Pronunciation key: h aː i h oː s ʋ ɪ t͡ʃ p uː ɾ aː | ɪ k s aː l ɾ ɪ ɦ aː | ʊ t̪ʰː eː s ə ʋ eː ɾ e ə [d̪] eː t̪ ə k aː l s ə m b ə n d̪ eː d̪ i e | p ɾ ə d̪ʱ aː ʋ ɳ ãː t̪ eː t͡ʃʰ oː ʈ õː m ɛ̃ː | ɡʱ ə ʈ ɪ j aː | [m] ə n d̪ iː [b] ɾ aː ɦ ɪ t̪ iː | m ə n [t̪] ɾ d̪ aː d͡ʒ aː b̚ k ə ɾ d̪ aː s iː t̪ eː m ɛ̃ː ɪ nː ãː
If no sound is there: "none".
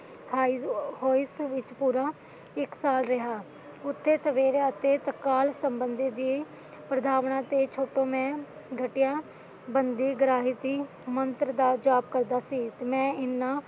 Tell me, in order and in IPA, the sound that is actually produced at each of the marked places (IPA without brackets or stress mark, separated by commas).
t̪, b, ɡ, t̪